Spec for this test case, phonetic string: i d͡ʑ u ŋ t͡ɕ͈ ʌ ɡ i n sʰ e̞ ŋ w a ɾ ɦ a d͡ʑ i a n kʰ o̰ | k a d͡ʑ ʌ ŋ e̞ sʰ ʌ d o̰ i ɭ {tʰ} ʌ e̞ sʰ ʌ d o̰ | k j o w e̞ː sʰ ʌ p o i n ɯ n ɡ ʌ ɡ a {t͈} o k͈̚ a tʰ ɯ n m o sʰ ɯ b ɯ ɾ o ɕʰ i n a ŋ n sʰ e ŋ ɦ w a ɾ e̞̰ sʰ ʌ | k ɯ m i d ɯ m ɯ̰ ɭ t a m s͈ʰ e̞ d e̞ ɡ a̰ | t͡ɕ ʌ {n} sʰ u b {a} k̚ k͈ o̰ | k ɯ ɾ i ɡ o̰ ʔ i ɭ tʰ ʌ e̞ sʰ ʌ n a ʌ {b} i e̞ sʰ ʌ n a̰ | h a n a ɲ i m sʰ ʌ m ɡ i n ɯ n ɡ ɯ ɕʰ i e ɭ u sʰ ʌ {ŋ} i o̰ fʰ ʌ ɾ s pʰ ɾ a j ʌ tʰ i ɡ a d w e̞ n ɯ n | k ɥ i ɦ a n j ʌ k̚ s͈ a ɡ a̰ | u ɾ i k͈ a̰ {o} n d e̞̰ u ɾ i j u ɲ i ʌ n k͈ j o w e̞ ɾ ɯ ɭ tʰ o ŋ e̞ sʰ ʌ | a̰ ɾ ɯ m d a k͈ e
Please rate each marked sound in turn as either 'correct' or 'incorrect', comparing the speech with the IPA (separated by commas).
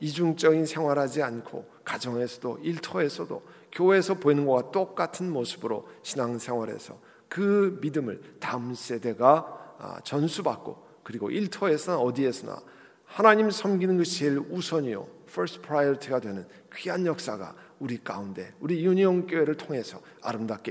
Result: correct, correct, correct, correct, incorrect, incorrect, incorrect